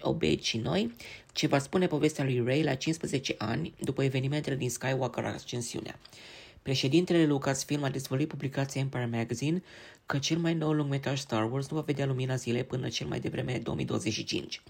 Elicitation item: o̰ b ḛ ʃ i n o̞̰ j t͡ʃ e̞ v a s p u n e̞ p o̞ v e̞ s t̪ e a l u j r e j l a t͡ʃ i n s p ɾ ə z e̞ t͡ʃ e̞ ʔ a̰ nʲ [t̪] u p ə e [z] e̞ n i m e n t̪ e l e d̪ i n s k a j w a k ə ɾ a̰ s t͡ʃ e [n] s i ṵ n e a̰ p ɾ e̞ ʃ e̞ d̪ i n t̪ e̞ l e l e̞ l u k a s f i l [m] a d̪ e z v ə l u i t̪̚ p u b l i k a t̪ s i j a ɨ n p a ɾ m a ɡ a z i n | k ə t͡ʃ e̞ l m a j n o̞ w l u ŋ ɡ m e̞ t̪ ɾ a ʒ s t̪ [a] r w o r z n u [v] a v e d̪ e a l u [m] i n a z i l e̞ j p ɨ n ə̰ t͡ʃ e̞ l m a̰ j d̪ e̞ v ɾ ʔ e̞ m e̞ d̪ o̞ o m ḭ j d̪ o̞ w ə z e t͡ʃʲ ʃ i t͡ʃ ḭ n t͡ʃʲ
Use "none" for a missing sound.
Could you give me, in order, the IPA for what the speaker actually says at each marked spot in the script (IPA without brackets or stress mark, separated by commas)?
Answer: d̪, v, n, m, a, v, m